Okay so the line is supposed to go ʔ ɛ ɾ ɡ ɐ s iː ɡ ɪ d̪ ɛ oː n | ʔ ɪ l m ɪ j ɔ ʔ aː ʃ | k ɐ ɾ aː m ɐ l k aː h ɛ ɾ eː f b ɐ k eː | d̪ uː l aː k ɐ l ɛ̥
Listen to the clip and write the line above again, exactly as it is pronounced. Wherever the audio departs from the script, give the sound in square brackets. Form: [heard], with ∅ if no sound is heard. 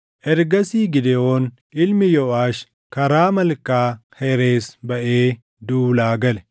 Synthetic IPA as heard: ʔ ɛ ɾ ɡ ɐ s iː ɡ ɪ d̪ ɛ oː n | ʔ ɪ l m ɪ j ɔ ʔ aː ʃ | k ɐ ɾ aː m ɐ l k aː h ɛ ɾ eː [s] b ɐ [ʔ] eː | d̪ uː l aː [ɡ] ɐ l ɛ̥